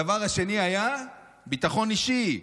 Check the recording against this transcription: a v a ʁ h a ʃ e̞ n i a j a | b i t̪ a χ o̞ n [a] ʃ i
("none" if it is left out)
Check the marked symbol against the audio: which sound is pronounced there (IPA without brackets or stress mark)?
i